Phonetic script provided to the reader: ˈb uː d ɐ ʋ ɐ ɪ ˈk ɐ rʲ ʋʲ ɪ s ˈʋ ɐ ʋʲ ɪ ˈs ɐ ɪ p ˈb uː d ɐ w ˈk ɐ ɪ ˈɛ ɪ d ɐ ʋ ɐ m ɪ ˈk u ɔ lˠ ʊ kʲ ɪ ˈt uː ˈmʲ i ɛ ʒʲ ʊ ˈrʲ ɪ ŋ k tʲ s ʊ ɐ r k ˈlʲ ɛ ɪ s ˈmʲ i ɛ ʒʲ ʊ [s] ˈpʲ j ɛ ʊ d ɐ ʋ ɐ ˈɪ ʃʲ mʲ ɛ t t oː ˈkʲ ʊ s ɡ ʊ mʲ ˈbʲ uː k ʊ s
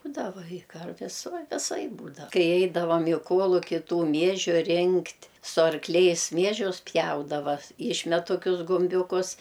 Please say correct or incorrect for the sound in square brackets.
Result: correct